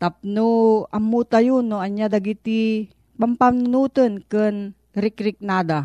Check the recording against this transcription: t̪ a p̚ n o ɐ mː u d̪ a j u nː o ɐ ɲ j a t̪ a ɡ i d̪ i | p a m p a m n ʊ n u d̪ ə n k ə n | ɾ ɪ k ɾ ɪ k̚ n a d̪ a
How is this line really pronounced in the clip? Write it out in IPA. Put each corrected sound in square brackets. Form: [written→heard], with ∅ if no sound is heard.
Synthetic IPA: t̪ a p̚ n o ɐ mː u [d̪→t̪] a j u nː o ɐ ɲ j a [t̪→d̪] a ɡ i [d̪→t̪] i | p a m p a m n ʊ n u [d̪→t̪] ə n k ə n | ɾ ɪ k ɾ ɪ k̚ n a d̪ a